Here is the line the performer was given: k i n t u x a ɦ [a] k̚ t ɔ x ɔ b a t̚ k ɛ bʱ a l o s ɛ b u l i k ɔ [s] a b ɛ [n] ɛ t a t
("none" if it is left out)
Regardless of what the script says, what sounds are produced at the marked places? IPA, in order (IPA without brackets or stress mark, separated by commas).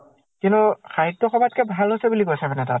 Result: i, s, n